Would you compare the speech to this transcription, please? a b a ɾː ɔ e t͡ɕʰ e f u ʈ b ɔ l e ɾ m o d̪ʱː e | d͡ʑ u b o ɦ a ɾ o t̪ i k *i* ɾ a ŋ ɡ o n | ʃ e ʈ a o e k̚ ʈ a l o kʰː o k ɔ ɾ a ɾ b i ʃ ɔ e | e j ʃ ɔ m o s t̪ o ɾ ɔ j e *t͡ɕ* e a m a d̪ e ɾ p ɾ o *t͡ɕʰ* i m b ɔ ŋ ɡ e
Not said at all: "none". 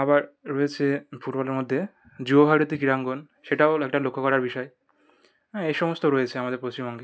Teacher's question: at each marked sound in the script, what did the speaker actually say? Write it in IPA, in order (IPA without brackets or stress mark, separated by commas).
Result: i, t͡ɕʰ, t͡ɕ